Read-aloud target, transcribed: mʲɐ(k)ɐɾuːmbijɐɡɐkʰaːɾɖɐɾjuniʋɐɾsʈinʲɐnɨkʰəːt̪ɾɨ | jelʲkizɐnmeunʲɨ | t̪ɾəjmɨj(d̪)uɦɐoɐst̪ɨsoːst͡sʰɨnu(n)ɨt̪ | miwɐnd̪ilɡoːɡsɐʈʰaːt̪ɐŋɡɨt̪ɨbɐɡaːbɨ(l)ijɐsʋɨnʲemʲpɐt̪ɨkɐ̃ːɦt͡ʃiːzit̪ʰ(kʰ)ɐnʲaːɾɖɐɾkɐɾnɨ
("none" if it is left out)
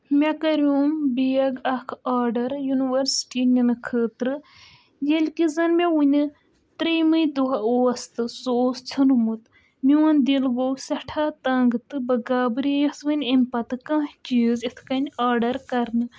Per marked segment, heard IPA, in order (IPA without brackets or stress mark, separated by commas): k, d̪, m, ɾ, k